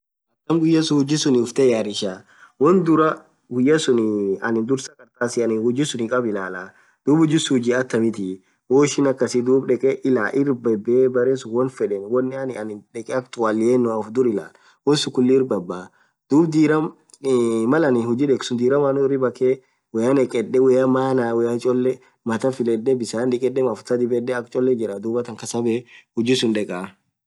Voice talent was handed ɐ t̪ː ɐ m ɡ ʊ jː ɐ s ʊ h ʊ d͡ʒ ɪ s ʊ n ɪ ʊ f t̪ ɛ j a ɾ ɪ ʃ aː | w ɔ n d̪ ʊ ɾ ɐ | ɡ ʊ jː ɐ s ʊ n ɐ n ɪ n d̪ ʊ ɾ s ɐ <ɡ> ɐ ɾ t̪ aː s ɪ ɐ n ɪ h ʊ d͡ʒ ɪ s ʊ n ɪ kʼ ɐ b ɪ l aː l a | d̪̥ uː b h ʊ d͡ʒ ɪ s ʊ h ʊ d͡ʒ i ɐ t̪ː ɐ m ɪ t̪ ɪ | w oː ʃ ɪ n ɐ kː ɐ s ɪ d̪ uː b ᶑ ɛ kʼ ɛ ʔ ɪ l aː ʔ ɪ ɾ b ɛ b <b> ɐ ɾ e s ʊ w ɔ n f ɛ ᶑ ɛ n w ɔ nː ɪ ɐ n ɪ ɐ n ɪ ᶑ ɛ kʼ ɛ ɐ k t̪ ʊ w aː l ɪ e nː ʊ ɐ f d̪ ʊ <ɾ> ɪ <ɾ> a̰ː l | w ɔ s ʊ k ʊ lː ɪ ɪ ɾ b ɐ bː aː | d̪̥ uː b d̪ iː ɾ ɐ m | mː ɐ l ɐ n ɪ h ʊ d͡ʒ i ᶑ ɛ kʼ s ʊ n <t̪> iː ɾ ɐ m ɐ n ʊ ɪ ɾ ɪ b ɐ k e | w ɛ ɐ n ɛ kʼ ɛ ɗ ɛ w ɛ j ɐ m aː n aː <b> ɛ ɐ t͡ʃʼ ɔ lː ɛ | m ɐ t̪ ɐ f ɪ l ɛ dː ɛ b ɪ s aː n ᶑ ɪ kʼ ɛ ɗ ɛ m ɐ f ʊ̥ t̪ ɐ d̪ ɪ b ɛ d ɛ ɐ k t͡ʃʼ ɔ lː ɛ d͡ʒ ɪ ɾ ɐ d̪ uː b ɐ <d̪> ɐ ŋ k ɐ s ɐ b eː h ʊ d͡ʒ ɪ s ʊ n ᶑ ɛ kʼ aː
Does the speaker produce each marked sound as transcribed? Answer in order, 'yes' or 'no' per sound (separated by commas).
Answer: no, yes, yes, no, no, no, no